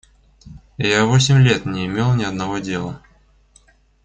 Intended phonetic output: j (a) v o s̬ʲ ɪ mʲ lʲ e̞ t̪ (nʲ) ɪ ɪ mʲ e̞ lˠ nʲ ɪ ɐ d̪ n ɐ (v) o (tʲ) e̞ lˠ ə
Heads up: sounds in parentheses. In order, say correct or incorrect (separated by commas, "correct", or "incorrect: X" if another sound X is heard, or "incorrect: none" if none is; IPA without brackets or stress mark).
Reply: correct, correct, correct, incorrect: dʲ